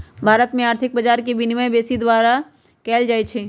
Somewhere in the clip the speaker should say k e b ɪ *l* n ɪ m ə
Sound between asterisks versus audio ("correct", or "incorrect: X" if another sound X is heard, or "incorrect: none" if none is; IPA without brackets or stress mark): incorrect: none